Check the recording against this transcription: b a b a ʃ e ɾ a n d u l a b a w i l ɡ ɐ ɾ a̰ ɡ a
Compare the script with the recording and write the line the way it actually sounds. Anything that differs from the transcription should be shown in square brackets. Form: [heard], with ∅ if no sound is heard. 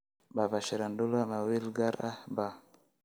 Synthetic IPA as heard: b a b a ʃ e ɾ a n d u l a [m] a w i l ɡ [a] ɾ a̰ [b] a